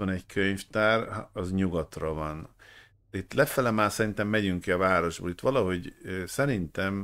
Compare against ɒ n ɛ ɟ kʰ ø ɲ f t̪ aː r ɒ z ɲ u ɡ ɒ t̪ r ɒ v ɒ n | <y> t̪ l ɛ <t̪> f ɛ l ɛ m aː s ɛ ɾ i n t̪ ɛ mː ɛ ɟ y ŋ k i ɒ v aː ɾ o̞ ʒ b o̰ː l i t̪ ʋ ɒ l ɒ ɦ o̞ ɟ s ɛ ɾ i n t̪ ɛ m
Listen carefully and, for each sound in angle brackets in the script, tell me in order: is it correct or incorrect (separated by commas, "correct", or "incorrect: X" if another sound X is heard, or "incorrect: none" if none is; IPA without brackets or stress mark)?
incorrect: i, incorrect: none